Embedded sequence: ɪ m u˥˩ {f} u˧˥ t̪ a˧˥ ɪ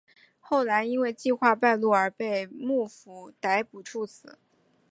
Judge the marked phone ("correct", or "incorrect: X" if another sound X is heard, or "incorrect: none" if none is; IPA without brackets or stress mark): correct